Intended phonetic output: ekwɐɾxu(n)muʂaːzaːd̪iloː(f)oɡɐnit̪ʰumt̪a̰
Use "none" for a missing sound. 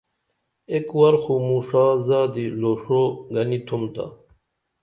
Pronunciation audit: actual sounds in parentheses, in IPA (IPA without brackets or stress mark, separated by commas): none, ʂ